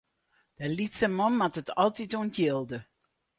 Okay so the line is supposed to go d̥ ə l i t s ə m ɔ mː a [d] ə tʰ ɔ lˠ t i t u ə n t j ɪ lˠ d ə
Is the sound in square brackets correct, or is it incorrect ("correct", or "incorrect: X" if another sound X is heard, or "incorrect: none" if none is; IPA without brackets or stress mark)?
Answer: incorrect: t